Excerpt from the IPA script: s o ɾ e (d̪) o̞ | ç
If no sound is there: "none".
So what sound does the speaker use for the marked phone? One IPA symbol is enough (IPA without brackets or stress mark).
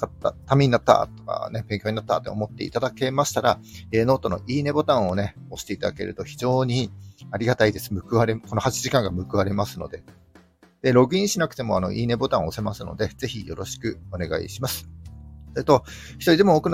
t̪